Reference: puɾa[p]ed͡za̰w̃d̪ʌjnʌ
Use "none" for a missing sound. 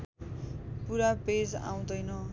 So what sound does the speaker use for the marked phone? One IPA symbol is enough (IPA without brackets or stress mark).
p